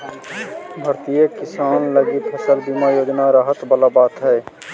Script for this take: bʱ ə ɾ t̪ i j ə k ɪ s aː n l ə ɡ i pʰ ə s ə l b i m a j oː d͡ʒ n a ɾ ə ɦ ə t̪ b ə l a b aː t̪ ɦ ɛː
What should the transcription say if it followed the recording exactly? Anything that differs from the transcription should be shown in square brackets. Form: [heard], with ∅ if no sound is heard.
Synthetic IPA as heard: bʱ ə ɾ t̪ i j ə k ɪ s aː n l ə ɡ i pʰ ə s ə l b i m a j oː d͡ʒ n a ɾ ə ɦ ə t̪ b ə l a b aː t̪ ɦ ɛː